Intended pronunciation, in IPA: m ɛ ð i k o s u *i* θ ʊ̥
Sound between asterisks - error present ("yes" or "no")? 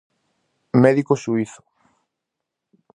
no